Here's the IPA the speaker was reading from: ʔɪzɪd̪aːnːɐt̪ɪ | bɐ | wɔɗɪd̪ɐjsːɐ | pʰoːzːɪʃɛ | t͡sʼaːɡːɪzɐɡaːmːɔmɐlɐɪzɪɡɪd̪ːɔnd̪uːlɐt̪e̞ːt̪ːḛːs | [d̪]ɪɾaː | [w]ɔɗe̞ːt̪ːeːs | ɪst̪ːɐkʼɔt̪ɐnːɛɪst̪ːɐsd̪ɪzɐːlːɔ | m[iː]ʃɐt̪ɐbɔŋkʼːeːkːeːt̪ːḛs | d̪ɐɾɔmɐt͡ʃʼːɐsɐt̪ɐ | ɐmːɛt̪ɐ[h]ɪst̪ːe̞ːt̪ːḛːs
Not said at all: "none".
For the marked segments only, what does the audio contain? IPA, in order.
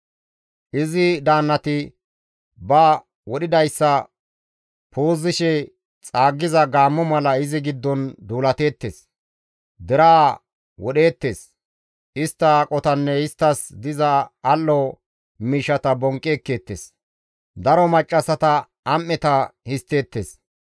d̪, w, iː, h

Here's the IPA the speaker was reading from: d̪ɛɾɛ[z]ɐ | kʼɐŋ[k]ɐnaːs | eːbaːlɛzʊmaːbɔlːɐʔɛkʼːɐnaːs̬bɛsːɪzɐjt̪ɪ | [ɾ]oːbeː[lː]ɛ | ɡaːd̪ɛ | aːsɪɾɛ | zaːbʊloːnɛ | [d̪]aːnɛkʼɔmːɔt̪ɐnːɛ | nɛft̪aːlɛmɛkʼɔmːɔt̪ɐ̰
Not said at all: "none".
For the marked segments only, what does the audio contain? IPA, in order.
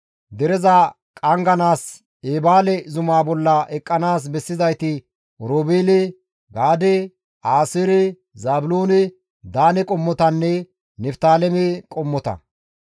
z, ɡ, ɾ, l, d̪

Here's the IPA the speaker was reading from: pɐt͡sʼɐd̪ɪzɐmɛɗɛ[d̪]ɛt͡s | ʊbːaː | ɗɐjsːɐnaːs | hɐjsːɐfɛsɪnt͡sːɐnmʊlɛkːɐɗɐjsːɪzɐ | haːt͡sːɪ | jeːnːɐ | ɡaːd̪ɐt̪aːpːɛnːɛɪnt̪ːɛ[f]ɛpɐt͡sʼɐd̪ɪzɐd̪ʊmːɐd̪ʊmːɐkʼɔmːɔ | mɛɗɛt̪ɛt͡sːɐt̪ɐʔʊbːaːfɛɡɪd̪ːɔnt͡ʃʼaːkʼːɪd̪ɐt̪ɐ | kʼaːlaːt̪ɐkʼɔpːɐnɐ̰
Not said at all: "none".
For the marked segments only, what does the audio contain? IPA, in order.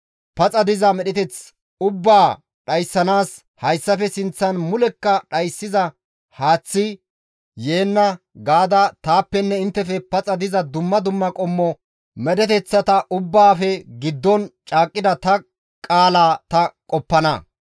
t̪, f

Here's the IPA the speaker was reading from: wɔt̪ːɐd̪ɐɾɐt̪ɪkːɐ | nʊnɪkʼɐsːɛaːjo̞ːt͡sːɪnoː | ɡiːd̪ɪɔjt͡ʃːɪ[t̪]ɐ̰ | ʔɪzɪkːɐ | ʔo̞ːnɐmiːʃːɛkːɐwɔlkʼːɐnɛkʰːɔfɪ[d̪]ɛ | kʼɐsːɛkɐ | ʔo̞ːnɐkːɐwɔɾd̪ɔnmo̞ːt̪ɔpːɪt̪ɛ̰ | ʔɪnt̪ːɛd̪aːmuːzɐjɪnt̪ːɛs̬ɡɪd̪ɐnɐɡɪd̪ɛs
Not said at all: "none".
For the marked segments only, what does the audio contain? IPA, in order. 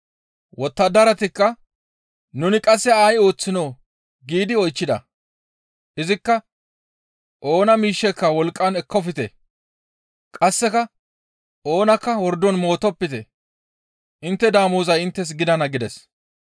d̪, t̪

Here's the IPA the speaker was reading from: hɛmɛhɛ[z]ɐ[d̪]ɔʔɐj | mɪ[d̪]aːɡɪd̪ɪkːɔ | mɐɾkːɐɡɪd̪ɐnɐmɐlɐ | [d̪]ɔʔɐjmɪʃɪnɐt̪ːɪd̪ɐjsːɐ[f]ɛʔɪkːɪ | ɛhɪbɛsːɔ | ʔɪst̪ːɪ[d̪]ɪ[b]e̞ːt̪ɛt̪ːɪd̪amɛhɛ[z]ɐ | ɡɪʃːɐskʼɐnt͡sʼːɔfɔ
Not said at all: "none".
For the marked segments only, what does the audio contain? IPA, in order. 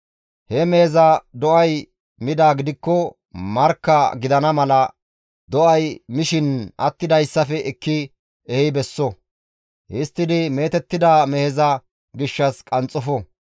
z, d̪, d̪, d̪, f, d̪, m, z

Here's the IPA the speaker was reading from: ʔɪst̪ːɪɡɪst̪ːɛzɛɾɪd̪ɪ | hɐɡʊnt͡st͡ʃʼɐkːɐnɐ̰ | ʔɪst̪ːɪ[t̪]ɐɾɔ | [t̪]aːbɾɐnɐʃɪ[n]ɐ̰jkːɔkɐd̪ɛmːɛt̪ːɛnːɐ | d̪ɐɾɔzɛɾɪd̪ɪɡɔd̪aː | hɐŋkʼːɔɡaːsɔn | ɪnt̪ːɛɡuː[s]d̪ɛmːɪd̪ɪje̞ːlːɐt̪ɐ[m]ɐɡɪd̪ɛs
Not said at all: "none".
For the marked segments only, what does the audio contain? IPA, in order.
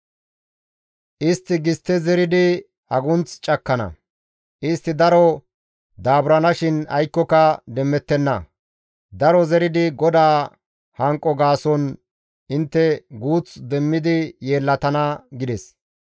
d̪, d̪, n, t͡s, n

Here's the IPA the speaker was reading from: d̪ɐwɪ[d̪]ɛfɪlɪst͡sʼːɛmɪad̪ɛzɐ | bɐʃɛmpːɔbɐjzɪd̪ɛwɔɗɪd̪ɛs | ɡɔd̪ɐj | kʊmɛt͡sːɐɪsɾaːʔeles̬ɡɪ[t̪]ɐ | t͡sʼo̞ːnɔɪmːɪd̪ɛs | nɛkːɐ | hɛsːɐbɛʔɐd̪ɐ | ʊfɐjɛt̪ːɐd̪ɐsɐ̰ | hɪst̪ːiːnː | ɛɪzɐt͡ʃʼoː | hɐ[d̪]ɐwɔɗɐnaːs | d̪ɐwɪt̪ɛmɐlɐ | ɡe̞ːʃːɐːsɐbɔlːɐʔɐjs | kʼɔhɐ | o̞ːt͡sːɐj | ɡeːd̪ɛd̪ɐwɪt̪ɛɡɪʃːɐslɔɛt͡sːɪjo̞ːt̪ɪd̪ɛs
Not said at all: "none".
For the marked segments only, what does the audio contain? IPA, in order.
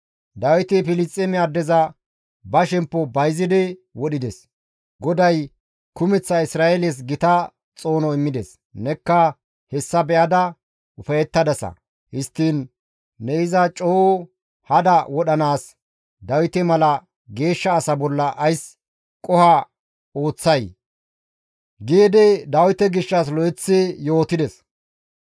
t̪, t̪, d̪

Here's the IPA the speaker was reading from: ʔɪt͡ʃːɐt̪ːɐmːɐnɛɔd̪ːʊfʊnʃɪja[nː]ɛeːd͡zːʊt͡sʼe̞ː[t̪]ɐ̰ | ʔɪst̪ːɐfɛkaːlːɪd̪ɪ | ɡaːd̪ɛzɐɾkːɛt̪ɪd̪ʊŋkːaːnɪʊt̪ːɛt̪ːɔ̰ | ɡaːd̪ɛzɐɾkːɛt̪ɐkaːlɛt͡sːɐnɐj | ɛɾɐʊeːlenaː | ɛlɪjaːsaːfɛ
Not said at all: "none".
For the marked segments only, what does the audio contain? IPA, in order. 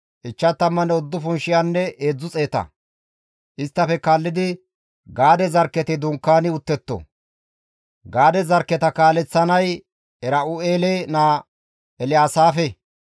nː, t̪

